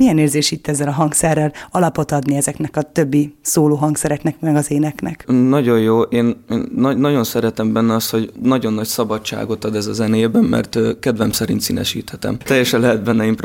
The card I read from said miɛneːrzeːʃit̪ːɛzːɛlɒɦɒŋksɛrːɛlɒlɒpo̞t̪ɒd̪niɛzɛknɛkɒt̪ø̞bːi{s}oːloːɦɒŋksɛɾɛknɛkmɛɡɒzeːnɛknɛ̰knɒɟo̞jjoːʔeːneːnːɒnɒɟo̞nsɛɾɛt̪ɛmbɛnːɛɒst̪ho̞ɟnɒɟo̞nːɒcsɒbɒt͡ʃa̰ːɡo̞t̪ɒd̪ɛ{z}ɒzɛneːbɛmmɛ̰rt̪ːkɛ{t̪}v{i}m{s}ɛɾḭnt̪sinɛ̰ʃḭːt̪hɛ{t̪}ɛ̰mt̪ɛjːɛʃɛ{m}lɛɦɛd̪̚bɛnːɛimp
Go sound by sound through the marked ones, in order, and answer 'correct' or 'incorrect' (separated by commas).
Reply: correct, correct, incorrect, incorrect, correct, correct, incorrect